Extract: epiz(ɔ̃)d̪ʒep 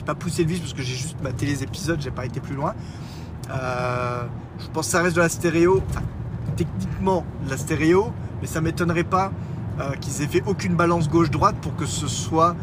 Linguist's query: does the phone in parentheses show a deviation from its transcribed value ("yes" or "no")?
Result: yes